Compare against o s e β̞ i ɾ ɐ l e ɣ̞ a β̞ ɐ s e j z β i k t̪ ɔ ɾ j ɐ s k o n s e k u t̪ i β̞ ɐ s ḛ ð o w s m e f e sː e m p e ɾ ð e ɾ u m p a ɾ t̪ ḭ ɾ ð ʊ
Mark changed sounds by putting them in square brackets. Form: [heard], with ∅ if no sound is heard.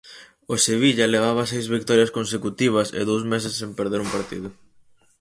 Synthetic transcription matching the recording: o s e β̞ i [ʎ] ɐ l e ɣ̞ a β̞ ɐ s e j z β i k t̪ ɔ ɾ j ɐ s k o n s e k u t̪ i β̞ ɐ s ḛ ð o w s m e [s] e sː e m p e ɾ ð e ɾ u m p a ɾ t̪ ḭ [∅] ð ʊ